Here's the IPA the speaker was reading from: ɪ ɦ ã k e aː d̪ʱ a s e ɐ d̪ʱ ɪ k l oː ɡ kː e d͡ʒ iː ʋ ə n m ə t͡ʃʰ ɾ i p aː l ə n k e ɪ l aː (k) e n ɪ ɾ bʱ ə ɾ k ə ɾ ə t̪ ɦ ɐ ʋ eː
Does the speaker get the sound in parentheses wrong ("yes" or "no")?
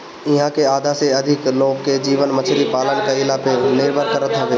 yes